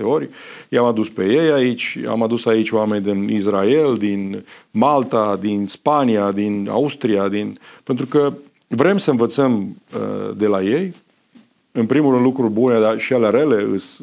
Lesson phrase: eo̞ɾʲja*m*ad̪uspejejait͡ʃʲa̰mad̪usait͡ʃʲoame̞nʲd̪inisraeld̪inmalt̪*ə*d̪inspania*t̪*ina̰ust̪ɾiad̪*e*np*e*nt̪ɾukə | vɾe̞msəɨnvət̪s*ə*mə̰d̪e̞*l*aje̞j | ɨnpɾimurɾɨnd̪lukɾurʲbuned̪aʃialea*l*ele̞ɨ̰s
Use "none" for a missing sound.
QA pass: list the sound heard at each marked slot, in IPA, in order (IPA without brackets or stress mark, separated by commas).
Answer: m, a, d̪, i, e, ə, l, ɾ